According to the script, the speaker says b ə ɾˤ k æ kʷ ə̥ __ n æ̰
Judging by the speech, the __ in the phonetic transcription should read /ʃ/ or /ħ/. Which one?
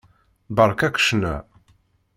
ʃ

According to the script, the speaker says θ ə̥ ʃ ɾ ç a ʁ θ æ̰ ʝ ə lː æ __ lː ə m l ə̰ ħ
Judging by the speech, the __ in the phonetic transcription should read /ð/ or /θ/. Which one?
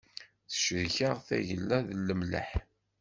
ð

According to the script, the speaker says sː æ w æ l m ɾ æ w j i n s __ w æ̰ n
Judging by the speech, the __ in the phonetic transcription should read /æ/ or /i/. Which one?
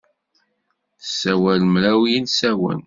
æ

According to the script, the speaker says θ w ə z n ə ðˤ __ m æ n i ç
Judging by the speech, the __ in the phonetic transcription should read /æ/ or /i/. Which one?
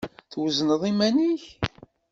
i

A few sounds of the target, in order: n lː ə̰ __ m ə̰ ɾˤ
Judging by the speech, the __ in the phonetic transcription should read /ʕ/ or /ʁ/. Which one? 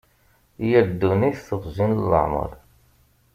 ʕ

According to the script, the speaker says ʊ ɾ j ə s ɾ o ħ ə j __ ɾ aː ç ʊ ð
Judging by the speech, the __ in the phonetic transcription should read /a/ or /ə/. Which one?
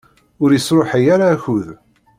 a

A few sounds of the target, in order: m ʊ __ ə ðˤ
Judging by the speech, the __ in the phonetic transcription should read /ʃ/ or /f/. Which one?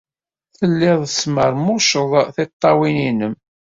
ʃ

